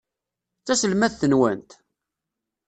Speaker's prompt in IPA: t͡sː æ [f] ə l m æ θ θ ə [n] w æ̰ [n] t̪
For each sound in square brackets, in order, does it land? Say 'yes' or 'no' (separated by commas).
no, yes, yes